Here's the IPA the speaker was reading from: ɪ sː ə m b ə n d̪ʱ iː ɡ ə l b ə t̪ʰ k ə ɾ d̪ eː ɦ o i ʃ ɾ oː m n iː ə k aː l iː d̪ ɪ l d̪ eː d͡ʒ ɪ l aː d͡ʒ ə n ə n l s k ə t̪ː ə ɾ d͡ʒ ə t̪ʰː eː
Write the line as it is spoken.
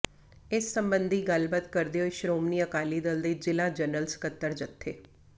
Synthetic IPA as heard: ɪ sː ə m b ə n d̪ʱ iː ɡ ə l b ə t̪ k ə ɾ d̪ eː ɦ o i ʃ ɾ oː m n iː ə k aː l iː d̪ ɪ l d̪ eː d͡ʒ ɪ l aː d͡ʒ ə n ə l s k ə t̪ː ə ɾ d͡ʒ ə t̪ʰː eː